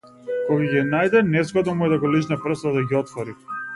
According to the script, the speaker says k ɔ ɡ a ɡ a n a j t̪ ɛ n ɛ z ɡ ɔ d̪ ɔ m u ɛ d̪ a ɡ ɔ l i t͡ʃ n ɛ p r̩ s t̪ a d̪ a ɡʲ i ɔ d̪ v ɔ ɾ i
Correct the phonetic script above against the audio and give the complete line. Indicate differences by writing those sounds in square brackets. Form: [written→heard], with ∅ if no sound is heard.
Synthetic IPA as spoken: k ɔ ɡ a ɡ [a→i] n a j [t̪→d̪] ɛ n ɛ z ɡ ɔ d̪ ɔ m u ɛ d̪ a ɡ ɔ l i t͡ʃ n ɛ p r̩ s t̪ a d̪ a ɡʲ i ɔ [d̪→t̪] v ɔ ɾ i